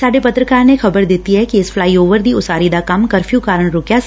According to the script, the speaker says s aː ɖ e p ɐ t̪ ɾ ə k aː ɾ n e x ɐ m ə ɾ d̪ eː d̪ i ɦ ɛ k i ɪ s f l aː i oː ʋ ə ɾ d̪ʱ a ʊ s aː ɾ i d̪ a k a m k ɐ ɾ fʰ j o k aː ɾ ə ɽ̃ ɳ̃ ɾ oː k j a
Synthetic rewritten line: s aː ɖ e p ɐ t̪ ɾ ə k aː ɾ n e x ɐ b ə ɾ d̪ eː t̪ i ɦ ɛ k i ɪ s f l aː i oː ʋ ə ɾ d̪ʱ i ʊ s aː ɾ i d̪ a k ɐ m k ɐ ɾ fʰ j u k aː ɾ ə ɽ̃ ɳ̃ ɾ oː k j a